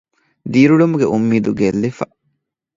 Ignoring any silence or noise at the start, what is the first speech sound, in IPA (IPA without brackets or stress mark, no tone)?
d̪